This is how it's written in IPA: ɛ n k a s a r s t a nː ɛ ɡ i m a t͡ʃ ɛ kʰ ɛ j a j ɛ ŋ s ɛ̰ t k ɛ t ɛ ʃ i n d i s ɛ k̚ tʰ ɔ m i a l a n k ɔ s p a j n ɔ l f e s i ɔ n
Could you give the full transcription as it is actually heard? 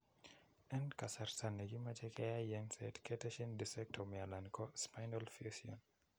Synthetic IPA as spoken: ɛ n k a s a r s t a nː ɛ ɡ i m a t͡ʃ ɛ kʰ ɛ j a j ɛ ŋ s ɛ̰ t k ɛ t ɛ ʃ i n d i s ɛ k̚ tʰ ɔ m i a l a n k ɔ s p a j n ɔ l f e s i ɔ n